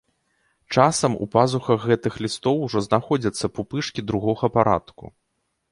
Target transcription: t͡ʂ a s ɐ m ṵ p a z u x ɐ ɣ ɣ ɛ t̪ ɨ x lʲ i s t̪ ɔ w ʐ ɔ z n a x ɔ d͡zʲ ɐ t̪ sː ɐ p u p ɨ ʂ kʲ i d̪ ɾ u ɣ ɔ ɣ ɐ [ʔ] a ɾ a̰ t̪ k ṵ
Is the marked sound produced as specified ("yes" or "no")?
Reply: no